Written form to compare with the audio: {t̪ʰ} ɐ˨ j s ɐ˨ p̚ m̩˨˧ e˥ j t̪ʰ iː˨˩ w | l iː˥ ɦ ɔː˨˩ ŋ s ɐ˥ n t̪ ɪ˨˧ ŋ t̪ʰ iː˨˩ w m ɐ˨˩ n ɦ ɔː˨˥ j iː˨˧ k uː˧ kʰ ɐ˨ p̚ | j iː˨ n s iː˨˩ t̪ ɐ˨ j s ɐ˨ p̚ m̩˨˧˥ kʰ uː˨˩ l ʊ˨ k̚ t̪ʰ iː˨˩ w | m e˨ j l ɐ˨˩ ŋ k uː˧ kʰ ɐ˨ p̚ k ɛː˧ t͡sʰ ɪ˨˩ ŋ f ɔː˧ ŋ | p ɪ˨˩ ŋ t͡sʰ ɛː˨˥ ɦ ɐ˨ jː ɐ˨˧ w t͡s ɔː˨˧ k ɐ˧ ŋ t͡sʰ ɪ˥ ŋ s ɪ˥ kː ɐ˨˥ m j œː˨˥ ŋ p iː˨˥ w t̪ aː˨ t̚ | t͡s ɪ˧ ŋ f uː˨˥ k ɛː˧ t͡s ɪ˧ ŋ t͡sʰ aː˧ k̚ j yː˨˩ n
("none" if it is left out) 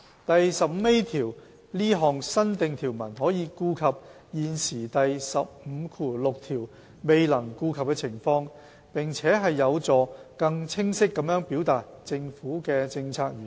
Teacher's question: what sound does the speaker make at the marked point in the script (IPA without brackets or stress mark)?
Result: t̪